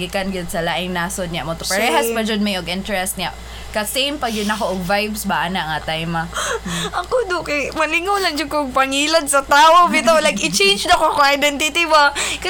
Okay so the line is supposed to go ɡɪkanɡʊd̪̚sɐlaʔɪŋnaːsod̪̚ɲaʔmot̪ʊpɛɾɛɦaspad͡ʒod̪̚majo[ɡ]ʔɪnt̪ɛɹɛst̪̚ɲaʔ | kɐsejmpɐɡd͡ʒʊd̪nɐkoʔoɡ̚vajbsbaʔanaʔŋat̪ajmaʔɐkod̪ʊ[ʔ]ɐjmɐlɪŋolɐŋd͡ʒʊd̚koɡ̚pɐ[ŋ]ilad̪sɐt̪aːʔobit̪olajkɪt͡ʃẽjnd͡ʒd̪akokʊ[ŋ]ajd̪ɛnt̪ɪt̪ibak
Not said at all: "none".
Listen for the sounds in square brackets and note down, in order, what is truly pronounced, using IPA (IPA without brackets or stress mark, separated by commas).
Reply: ɡ, k, ŋ, ŋ